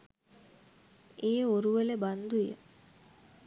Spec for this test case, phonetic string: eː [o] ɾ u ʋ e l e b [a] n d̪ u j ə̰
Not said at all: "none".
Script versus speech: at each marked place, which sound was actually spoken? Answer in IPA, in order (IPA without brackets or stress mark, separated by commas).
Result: o, a